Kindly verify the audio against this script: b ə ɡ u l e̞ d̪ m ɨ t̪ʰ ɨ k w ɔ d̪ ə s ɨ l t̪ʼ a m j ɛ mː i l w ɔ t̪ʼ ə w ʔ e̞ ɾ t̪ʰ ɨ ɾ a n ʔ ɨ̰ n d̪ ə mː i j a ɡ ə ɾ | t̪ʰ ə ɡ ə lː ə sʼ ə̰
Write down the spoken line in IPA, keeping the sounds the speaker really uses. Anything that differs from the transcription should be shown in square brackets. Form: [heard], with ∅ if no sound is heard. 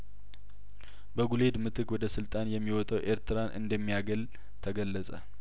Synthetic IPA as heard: b ə ɡ u l e̞ d̪ m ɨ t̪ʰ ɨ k w ɔ d̪ ə s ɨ l t̪ʼ a [n] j ɛ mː i [∅] w ɔ t̪ʼ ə w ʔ e̞ ɾ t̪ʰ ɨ ɾ a n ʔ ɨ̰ n d̪ ə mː i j a ɡ ə [l] | t̪ʰ ə ɡ ə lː ə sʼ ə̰

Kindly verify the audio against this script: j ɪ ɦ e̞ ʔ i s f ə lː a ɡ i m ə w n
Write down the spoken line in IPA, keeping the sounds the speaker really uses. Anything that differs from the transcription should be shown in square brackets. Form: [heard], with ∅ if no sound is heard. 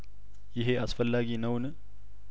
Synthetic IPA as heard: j ɪ ɦ e̞ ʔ [a] s f ə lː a ɡ i [n] ə w n

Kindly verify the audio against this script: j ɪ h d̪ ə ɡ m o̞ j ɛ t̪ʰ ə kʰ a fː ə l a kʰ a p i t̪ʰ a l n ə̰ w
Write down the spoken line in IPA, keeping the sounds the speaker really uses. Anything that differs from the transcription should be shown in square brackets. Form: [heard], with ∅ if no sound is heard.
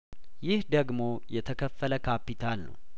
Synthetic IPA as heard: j ɪ h d̪ ə ɡ m o̞ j ɛ t̪ʰ ə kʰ [ə] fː ə l [ə] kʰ a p i t̪ʰ a l n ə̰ w

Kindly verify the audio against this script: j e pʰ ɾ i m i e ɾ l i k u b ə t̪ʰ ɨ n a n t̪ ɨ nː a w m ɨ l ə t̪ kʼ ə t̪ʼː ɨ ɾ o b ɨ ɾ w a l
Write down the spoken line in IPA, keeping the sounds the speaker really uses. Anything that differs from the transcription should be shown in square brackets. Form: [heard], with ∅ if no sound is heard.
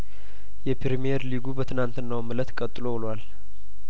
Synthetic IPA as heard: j [ɛ] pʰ ɾ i m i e ɾ l i [ɡ] u b ə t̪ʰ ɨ n a n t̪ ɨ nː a w m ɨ l ə t̪ kʼ ə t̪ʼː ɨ [l] o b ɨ [l] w a l

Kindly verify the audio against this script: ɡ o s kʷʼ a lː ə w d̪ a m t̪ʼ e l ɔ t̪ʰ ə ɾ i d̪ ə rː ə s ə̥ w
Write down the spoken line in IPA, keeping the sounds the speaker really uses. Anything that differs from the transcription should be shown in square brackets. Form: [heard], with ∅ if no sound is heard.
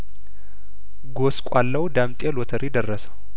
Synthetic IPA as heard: ɡ o s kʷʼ a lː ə w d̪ a m t̪ʼ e l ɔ t̪ʰ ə ɾ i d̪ ə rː ə s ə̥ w

